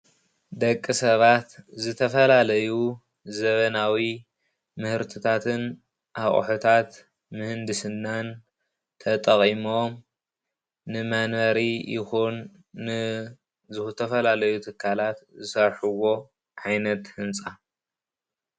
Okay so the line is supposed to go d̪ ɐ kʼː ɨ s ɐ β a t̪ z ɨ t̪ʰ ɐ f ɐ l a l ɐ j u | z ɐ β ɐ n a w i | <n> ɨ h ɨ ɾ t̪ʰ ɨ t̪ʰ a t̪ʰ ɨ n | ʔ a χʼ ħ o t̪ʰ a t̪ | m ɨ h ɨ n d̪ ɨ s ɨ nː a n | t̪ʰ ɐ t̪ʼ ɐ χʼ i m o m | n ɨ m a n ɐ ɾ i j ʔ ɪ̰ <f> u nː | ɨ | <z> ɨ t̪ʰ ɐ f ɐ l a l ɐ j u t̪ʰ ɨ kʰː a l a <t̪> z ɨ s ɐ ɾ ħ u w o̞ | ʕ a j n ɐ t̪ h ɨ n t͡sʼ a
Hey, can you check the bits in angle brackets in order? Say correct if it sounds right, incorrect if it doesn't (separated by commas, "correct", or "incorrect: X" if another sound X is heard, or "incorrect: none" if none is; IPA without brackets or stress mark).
incorrect: m, incorrect: x, correct, correct